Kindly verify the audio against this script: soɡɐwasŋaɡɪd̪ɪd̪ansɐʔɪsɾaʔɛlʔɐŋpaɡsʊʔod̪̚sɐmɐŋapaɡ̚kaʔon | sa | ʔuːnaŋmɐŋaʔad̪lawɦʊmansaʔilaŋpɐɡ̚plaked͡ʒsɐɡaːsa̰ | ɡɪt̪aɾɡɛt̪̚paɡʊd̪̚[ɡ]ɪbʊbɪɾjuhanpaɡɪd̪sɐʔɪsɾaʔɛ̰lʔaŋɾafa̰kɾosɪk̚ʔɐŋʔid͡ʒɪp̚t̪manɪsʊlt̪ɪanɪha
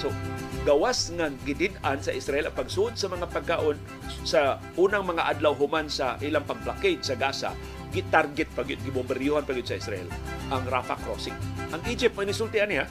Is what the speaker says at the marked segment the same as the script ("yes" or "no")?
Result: yes